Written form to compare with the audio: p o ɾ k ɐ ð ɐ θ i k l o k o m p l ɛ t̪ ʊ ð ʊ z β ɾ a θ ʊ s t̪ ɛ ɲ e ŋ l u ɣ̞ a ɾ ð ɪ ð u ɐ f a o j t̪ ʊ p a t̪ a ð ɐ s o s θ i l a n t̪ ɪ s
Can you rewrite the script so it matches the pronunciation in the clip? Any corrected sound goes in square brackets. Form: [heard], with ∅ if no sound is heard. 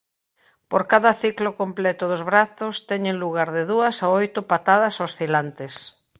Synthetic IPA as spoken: p o ɾ k [a] ð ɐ θ i k l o k o m p l ɛ t̪ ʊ ð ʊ z β ɾ a θ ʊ s t̪ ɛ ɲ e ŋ l u ɣ̞ a ɾ ð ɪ ð u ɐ [s] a o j t̪ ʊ p a t̪ a ð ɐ s o s θ i l a n t̪ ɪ s